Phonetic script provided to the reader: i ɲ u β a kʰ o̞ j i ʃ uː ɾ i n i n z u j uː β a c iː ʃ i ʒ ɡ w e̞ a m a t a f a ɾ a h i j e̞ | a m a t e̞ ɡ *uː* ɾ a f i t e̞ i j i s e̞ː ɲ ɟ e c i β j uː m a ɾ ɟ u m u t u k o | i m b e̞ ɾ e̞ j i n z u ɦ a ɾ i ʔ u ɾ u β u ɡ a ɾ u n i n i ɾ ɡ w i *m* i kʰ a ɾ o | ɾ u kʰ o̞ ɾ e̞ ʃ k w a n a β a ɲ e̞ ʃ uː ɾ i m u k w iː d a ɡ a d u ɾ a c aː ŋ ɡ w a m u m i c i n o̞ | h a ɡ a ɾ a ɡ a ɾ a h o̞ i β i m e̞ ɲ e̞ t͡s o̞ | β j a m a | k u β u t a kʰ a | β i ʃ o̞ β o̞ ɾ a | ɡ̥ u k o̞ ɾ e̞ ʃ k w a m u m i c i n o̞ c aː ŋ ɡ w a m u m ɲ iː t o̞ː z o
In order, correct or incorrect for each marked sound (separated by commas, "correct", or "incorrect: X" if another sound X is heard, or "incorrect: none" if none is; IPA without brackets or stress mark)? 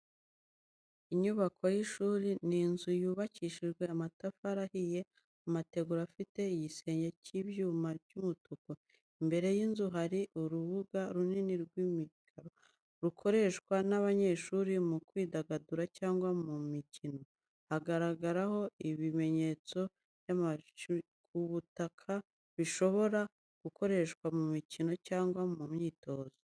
incorrect: u, correct